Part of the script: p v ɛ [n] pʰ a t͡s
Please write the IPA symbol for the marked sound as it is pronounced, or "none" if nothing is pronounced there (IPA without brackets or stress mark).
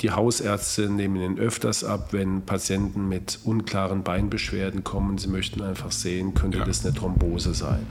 n